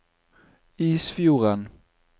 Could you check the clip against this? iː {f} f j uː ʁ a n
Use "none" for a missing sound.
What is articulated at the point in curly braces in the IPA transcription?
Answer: s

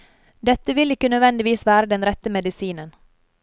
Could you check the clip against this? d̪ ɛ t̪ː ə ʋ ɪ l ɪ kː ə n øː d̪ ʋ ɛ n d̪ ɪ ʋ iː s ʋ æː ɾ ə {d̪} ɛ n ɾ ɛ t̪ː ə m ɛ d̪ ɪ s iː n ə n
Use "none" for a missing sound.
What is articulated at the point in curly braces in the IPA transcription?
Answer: d̪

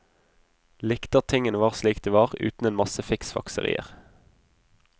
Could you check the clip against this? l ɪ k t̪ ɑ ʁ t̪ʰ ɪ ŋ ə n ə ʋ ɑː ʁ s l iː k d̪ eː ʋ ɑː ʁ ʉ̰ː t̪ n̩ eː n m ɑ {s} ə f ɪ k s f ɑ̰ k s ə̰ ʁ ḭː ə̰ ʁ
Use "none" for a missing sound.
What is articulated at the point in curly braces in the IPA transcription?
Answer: s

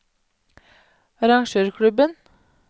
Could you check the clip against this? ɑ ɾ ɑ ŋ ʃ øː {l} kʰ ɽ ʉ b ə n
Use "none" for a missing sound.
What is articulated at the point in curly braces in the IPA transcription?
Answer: ɾ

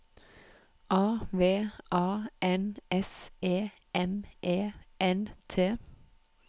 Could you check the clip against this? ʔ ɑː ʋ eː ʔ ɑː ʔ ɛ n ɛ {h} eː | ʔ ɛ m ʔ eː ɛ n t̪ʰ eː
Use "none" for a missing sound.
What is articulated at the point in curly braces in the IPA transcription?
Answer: s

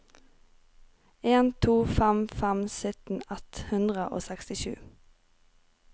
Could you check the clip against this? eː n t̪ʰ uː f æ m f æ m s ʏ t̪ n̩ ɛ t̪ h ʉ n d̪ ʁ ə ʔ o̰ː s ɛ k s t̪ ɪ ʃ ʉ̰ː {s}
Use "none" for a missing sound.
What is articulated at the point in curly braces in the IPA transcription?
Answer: none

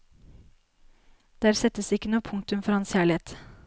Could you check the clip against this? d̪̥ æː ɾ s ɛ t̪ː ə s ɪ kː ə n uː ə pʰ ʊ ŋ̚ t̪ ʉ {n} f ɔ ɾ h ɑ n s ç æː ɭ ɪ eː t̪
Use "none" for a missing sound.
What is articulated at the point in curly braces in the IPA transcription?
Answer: m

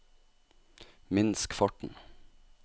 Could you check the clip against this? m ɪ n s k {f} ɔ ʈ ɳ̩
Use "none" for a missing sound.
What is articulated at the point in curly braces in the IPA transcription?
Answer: f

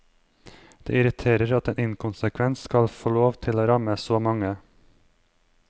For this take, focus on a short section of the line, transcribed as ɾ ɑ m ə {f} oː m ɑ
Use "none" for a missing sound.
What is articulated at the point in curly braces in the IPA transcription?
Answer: s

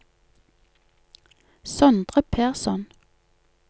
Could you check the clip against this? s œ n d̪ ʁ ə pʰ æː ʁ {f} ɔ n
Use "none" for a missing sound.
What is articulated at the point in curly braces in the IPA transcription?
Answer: s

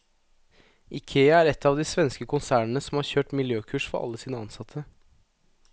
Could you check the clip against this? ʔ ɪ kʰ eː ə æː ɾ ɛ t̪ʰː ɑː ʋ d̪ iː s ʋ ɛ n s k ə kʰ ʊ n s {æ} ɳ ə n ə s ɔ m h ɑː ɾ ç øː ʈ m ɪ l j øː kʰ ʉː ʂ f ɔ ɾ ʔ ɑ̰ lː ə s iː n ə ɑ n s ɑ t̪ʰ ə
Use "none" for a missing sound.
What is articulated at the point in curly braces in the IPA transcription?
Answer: æː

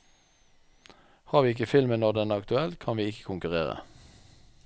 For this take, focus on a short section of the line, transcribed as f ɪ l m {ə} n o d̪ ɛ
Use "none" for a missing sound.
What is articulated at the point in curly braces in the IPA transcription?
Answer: ə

